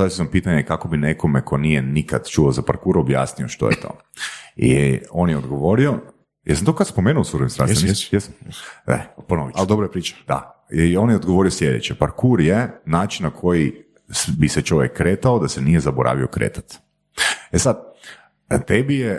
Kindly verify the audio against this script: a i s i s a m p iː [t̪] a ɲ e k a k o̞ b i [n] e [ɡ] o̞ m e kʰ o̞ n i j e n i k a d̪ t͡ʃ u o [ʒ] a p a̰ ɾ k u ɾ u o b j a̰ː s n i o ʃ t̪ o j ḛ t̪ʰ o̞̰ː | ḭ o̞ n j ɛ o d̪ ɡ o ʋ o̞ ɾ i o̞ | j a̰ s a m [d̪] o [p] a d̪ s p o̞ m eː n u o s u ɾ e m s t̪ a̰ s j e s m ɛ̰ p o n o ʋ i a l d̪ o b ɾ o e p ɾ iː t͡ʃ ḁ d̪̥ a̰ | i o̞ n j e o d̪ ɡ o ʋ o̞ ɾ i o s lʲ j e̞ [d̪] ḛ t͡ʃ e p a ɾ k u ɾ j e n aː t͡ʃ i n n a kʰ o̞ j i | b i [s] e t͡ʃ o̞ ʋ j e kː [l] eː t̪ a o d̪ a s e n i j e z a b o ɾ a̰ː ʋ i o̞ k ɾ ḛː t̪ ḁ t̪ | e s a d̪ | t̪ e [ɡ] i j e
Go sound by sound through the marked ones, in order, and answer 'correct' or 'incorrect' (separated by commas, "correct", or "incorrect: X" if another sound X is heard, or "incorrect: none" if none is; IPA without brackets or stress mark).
correct, correct, incorrect: k, incorrect: z, incorrect: t̪, incorrect: k, correct, correct, incorrect: ɾ, incorrect: b